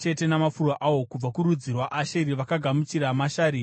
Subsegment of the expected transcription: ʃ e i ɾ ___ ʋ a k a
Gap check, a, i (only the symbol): i